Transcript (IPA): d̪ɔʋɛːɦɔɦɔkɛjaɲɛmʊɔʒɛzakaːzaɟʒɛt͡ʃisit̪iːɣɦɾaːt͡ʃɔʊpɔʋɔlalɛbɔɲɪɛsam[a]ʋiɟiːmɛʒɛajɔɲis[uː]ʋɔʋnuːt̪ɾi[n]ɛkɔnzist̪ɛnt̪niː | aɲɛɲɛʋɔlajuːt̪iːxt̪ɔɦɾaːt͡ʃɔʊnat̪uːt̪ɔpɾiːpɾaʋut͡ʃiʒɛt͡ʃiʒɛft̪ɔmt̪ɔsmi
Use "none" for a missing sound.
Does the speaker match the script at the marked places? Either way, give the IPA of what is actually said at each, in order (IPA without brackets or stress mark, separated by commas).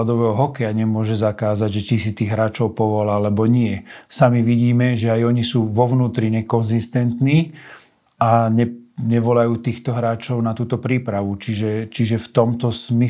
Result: i, uː, ɲ